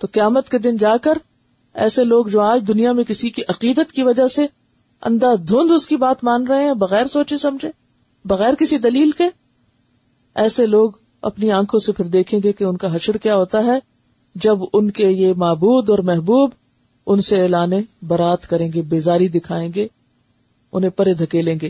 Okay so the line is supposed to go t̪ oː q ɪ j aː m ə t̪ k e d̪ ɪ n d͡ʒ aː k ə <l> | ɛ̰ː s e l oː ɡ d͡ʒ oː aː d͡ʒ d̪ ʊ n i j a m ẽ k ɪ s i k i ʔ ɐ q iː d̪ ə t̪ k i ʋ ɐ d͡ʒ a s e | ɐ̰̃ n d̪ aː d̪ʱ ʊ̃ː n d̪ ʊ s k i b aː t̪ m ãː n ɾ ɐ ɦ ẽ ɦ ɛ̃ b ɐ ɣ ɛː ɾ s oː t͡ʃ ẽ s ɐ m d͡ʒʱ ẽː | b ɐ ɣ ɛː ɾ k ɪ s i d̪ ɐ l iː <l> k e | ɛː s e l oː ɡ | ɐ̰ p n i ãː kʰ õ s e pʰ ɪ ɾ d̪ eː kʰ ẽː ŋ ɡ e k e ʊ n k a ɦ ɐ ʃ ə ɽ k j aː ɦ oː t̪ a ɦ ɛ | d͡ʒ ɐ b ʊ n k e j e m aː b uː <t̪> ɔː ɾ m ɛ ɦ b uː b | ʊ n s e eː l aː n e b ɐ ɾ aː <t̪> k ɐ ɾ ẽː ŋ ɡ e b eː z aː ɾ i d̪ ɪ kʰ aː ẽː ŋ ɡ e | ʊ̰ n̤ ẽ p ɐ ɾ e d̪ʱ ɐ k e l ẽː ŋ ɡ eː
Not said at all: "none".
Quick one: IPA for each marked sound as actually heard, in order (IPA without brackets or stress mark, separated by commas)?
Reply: ɾ, l, d̪, t̪